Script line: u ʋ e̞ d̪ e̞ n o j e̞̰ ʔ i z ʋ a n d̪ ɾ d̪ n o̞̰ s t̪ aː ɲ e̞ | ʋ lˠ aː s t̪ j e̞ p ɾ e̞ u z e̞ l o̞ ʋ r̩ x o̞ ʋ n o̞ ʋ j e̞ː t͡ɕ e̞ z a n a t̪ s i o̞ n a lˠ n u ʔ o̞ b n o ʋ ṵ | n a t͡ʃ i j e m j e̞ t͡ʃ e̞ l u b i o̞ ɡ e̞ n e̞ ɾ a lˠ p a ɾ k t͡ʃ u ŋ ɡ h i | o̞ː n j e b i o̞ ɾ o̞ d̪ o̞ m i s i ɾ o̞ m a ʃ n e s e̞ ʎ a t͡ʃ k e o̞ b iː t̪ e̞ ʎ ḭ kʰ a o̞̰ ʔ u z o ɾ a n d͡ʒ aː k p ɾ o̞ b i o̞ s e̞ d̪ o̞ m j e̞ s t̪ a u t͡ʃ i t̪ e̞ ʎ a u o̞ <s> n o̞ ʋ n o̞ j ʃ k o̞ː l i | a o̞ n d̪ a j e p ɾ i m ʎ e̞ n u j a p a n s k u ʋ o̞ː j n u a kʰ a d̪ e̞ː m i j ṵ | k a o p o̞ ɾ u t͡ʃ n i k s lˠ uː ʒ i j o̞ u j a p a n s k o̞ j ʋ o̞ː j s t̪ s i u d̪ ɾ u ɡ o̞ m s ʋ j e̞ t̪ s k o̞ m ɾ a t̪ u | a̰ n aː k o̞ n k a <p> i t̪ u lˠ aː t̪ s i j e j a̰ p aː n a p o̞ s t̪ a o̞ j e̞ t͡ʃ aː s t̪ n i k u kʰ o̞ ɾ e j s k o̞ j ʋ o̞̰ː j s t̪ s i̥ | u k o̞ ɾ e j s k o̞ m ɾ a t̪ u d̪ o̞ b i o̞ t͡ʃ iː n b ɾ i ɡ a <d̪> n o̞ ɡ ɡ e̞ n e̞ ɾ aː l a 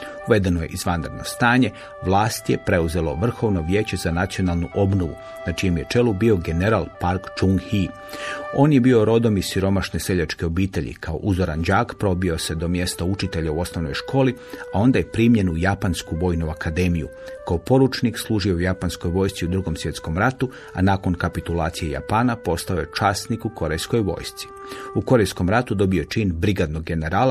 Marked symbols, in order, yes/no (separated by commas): yes, yes, yes